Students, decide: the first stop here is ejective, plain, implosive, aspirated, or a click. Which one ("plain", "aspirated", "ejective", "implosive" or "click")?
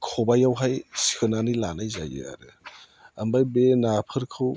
aspirated